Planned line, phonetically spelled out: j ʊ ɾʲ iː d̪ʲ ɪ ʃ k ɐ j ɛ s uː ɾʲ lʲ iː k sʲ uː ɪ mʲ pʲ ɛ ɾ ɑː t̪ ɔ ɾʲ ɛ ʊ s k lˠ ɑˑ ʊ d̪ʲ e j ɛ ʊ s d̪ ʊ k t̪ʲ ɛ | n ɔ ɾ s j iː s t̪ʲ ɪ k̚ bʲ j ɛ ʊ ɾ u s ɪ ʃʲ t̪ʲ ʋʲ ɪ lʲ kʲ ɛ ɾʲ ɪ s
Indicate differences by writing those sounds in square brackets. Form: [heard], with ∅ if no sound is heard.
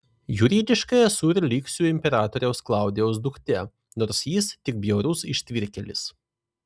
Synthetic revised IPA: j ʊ ɾʲ iː d̪ʲ ɪ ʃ k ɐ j ɛ s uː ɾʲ lʲ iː k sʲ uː ɪ mʲ pʲ ɛ ɾ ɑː t̪ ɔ ɾʲ ɛ ʊ s k lˠ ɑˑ ʊ d̪ʲ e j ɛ ʊ s d̪ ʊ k t̪ʲ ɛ | n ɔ ɾ s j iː s t̪ʲ ɪ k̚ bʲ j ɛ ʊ ɾ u s ɪ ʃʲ t̪ʲ ʋʲ ɪ [ɾʲ] kʲ ɛ [lʲ] ɪ s